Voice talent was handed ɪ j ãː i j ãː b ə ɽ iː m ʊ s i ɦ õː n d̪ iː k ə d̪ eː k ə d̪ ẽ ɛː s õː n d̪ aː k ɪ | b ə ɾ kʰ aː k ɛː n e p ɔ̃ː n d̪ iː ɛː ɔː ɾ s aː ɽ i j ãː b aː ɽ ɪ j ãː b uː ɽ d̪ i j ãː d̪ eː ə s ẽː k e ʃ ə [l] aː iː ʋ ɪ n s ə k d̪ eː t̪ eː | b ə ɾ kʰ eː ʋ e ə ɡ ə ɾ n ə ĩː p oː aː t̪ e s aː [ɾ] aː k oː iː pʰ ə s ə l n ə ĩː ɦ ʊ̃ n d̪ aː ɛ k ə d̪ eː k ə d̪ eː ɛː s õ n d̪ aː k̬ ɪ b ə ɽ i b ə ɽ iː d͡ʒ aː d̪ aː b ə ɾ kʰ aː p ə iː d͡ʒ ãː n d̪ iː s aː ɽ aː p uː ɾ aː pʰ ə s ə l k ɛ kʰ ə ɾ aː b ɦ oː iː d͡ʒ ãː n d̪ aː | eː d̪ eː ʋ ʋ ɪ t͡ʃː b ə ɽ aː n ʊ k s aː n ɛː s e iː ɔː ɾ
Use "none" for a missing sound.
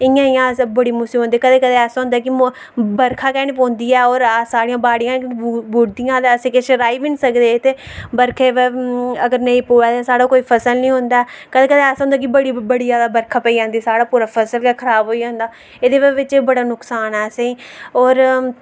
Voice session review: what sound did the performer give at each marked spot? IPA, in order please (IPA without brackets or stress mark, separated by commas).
ɾ, ɽ